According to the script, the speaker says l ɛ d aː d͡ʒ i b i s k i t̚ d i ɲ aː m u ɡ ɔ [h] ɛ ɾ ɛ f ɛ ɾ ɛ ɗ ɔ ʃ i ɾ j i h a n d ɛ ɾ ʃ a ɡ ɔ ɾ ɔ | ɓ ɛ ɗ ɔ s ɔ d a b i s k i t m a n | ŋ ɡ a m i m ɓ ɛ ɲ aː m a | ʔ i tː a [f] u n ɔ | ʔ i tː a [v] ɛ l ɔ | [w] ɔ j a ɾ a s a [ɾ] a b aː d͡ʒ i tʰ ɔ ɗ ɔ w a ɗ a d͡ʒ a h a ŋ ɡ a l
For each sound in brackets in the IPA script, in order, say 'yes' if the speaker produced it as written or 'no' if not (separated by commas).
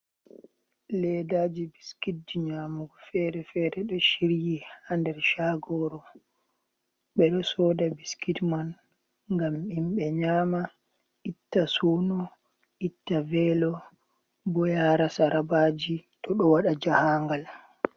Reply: no, no, yes, no, yes